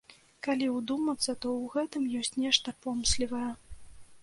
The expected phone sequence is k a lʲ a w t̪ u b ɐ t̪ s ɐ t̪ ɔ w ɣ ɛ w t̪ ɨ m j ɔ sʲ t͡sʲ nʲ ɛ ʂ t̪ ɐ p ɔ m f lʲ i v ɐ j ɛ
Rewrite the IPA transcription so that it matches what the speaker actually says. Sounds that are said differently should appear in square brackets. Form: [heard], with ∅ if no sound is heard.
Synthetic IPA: k a lʲ [i] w [d̪] u [m] ɐ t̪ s ɐ t̪ ɔ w ɣ ɛ [∅] t̪ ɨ m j ɔ sʲ t͡sʲ nʲ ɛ ʂ t̪ ɐ p ɔ m [s] lʲ i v ɐ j ɛ